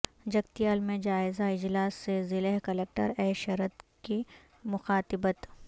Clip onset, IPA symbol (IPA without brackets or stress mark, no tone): d͡ʒ